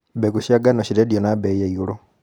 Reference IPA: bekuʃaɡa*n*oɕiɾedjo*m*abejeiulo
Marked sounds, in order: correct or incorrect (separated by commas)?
correct, incorrect